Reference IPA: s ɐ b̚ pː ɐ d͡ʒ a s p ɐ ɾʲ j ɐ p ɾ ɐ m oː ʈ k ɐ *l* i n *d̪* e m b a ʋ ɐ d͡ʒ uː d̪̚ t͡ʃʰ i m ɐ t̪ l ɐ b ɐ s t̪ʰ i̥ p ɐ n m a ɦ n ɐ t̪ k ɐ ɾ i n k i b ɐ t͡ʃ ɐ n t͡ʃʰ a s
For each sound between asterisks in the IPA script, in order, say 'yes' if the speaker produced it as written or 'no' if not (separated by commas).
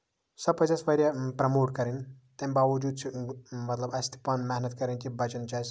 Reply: no, no